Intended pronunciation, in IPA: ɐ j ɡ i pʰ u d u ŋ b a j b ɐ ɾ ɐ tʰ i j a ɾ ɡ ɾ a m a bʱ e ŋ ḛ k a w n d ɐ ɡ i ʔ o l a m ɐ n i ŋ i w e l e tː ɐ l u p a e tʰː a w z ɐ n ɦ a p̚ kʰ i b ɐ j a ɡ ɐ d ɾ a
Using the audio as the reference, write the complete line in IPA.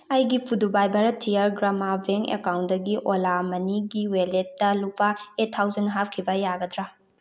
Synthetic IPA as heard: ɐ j ɡ i pʰ u d u b a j b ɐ ɾ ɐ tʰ i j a ɾ ɡ ɾ a m a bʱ e ŋ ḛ k a w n d ɐ ɡ i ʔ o l a m ɐ n i ɡ i w e l e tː ɐ l u p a e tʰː a w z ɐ n ɦ a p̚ kʰ i b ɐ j a ɡ ɐ d ɾ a

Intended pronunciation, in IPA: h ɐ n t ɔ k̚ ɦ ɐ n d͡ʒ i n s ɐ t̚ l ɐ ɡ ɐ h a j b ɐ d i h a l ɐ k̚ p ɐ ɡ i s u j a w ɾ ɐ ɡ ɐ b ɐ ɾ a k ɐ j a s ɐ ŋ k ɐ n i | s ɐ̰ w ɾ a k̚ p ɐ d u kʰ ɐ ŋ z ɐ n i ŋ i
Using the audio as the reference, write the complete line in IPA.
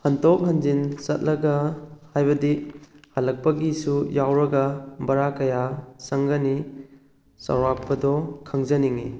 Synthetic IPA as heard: h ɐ n t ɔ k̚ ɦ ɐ n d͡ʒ i n s ɐ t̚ l ɐ ɡ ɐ h a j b ɐ d i h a l ɐ k̚ p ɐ ɡ i s u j a w ɾ ɐ ɡ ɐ b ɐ ɾ a k ɐ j a s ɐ ŋ ɡ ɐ n i | s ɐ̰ w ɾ a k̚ p ɐ d ɔ kʰ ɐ ŋ z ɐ n i ŋ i

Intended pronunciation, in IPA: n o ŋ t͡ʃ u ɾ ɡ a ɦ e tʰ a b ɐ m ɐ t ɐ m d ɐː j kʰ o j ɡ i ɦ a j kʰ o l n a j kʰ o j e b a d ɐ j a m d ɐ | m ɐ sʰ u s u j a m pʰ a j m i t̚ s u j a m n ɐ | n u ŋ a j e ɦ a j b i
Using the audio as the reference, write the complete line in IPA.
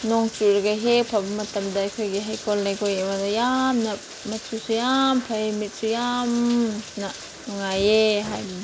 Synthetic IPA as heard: n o ŋ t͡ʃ u ɾ ɡ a ɦ e pʰ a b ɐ m ɐ t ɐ m d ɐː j kʰ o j ɡ i ɦ a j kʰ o l n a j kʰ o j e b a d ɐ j a m n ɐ | m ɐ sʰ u s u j a m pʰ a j m i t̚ s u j a m n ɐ | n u ŋ a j e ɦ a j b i

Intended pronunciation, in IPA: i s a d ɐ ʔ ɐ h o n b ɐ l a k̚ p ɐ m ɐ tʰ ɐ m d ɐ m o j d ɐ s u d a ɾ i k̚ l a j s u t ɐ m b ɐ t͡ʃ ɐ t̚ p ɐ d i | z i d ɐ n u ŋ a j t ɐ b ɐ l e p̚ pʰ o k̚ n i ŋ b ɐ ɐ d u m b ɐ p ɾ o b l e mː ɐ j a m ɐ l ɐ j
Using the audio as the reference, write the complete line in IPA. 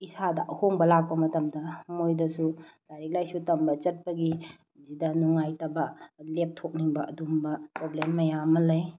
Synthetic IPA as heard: i s a d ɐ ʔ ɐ h o ŋ b ɐ l a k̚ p ɐ m ɐ t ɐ m d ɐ m o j d ɐ s u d a ɾ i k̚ l a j s u t ɐ m b ɐ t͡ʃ ɐ t̚ p ɐ ɡ i | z i d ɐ n u ŋ a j t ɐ b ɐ l e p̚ tʰ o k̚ n i ŋ b ɐ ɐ d u m b ɐ p ɾ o b l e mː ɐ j a m ɐ l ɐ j

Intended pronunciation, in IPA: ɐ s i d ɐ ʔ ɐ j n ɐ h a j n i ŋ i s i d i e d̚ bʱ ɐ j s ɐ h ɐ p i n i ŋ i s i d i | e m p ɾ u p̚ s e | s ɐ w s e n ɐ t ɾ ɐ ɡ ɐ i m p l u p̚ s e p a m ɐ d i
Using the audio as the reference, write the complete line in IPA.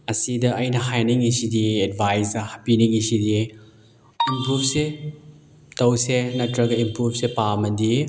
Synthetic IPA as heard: ɐ s i d ɐ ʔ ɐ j n ɐ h a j n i ŋ i s i d i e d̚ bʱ a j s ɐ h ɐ p i n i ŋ i s i d i | i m p ɾ u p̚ s e | t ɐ w s e n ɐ t ɾ ɐ ɡ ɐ i m p ɾ u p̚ s e p a m ɐ d i

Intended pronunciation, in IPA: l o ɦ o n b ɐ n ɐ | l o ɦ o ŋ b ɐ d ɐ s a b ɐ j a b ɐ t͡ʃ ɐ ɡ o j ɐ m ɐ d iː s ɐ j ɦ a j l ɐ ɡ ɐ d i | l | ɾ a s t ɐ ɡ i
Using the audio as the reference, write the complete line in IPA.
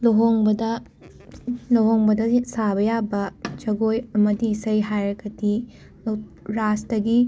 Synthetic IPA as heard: l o ɦ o ŋ b ɐ d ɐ | l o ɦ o ŋ b ɐ d ɐ s a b ɐ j a b ɐ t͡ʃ ɐ ɡ o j ɐ m ɐ d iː s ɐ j ɦ a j ɾ ɐ ɡ ɐ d i | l | ɾ a s t ɐ ɡ i

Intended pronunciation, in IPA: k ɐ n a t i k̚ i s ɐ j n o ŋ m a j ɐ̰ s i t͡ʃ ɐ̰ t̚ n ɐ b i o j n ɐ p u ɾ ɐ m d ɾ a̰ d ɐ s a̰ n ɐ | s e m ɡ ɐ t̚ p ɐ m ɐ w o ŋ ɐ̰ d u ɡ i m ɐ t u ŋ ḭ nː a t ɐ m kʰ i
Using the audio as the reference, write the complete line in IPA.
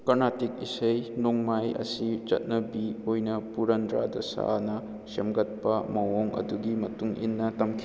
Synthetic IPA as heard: k ɐ n a t i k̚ i s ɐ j n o ŋ m a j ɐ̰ s i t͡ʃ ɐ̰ t̚ n ɐ b i o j n ɐ p u ɾ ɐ n d ɾ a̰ d ɐ s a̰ n ɐ | s e m ɡ ɐ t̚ p ɐ m ɐ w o ŋ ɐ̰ d u ɡ i m ɐ t u ŋ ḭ nː ɐ t ɐ m kʰ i

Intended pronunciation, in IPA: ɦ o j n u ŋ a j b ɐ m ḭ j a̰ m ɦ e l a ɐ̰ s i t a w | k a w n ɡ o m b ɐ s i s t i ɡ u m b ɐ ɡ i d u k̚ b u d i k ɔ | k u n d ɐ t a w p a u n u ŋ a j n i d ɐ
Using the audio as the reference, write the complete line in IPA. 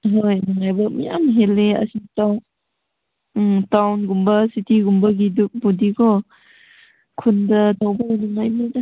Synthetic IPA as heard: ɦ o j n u ŋ a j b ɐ m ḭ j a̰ m ɦ e l e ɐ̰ s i t a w | t a w n ɡ u m b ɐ s i t i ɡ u m b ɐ ɡ i d u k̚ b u d i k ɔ | kʰ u n d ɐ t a w b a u n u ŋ a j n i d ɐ

